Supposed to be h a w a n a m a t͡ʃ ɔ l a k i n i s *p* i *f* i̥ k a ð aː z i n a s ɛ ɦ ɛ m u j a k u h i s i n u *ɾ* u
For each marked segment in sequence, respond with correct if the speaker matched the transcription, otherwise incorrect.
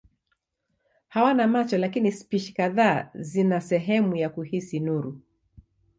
correct, incorrect: ʃ, correct

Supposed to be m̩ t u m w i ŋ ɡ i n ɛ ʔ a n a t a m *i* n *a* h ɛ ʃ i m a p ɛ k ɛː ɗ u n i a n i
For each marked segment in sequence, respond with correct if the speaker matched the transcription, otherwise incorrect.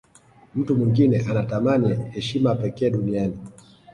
incorrect: a, incorrect: i

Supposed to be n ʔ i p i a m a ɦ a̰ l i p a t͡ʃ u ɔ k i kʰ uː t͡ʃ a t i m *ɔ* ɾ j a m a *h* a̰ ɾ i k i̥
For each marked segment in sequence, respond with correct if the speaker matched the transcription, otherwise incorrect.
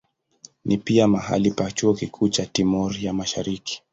correct, incorrect: ʃ

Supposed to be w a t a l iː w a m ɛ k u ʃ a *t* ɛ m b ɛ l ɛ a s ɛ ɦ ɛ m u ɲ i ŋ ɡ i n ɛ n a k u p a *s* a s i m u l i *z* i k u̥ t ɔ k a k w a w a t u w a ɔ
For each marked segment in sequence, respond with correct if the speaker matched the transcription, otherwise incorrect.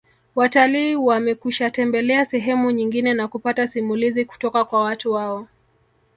correct, incorrect: t, correct

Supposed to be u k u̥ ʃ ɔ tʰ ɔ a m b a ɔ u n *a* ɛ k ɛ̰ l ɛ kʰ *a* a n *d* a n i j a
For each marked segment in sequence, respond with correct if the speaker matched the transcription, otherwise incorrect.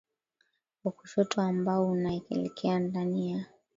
correct, incorrect: ɛ, correct

